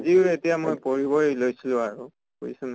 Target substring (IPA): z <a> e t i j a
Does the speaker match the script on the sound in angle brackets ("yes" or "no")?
no